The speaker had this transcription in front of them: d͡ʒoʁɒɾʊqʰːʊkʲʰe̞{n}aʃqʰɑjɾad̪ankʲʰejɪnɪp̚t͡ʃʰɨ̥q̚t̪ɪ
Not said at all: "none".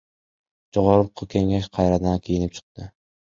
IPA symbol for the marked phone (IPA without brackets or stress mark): ŋ